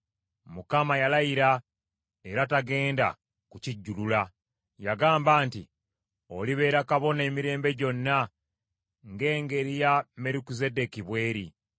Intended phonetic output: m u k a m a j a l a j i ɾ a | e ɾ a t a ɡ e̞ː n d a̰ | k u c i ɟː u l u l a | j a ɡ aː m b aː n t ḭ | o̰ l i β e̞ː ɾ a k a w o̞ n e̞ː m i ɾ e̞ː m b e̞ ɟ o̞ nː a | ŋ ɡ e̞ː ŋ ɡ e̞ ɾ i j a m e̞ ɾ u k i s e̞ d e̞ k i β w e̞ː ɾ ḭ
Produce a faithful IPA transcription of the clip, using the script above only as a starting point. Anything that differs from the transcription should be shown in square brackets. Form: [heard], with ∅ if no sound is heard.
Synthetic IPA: m u k a m a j a l a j i ɾ a | e ɾ a t a ɡ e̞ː n d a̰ | k u c i ɟː u l u l a | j a ɡ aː m b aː n t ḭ | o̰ l i β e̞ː ɾ a k a [β] o̞ n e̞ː m i ɾ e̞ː m b e̞ ɟ o̞ nː a | ŋ ɡ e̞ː ŋ ɡ e̞ ɾ i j a m e̞ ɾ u k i [z] e̞ d e̞ k i β w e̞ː ɾ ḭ